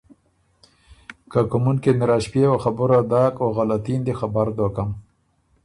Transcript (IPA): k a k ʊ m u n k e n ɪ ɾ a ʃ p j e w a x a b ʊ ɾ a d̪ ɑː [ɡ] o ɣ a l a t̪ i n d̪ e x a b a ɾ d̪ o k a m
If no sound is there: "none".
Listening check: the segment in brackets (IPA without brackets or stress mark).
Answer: k